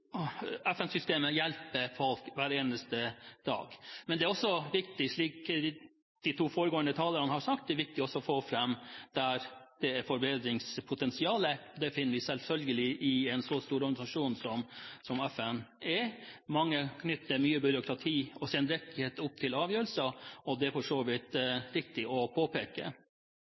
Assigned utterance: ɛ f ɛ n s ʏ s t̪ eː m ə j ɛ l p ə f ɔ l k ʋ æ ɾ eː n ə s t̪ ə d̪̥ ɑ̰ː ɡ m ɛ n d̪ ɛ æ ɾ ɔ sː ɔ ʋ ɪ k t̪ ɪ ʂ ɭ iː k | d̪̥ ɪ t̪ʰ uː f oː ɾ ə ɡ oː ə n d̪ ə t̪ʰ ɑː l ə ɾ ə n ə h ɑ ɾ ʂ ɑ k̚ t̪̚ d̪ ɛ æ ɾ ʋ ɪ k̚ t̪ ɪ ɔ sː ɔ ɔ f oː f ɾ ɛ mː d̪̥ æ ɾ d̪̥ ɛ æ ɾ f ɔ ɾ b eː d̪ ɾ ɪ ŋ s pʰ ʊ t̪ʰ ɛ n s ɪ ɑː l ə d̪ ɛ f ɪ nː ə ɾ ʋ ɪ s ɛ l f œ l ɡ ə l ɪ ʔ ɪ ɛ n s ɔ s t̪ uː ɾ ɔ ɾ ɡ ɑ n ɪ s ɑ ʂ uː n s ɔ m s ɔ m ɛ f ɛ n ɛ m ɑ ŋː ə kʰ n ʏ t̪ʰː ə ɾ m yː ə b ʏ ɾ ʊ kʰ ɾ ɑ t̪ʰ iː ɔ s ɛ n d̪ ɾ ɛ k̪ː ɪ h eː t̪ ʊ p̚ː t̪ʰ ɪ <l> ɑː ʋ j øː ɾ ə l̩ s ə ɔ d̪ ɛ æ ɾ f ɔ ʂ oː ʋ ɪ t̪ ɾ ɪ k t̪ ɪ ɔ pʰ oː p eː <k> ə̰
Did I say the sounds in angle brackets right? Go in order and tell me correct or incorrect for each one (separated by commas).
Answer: correct, correct